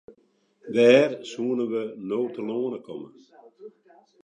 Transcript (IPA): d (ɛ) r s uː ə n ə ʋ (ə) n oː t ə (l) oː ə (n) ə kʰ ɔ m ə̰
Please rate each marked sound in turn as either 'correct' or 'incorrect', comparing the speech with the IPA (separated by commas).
incorrect, correct, correct, correct